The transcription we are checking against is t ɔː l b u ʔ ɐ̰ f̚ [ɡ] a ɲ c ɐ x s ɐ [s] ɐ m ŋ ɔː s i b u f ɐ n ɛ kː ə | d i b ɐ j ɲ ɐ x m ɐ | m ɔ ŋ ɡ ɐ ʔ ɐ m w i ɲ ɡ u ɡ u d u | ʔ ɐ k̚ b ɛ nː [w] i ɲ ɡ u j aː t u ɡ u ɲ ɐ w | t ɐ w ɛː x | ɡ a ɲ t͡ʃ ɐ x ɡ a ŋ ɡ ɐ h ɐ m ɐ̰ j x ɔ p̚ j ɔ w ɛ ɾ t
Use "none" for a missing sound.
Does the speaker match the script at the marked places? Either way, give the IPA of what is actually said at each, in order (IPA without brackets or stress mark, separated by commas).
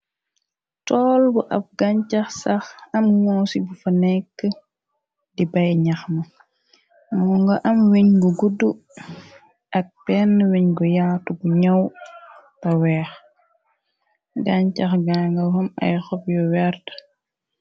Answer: ɡ, x, w